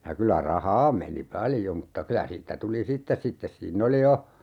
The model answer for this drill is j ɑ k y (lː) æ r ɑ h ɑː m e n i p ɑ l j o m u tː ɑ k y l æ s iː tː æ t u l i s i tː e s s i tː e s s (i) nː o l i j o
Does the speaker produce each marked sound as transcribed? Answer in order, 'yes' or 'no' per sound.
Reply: no, no

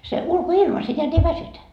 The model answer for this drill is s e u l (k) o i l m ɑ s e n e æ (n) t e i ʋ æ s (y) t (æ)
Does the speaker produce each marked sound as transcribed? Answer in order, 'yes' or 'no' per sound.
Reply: yes, no, yes, yes

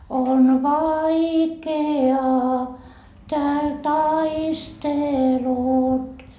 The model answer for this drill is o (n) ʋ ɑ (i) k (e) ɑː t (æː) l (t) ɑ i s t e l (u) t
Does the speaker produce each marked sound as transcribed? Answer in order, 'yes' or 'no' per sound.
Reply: yes, yes, yes, yes, yes, yes

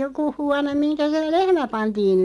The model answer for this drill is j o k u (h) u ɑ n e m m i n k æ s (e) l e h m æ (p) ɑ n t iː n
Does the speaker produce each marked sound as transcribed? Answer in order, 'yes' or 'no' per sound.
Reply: yes, yes, yes

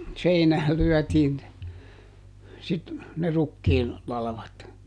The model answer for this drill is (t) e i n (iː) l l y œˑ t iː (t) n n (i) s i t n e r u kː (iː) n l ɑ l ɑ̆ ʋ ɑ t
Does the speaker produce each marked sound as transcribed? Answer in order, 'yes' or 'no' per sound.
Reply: no, no, no, no, yes

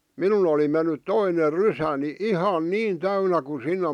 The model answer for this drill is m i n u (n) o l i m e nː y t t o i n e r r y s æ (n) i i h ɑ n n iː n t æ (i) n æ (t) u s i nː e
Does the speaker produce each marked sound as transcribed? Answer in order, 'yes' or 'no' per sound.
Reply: yes, yes, no, no

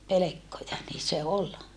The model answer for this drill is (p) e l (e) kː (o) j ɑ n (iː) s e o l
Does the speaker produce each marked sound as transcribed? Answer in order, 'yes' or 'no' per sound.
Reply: yes, yes, yes, yes

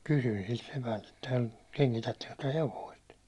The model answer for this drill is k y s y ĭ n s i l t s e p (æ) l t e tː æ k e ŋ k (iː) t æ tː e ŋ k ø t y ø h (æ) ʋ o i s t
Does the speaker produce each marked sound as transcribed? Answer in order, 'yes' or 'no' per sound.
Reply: yes, no, no

